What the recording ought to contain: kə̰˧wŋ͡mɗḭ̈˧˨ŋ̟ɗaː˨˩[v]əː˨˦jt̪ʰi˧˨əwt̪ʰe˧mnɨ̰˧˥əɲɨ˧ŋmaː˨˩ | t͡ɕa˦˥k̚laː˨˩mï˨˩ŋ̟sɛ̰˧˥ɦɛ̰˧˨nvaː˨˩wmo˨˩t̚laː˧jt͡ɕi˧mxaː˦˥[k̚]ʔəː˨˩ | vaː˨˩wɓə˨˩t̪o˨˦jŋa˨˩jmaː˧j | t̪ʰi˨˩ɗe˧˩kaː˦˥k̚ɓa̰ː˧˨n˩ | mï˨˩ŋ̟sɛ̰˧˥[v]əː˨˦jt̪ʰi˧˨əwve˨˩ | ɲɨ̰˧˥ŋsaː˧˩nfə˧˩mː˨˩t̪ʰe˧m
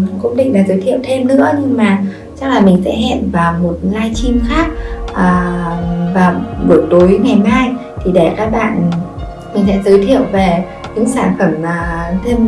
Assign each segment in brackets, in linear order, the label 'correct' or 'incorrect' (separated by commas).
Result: incorrect, correct, incorrect